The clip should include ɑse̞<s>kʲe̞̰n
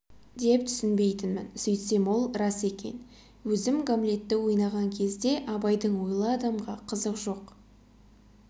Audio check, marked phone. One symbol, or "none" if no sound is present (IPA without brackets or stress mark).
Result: none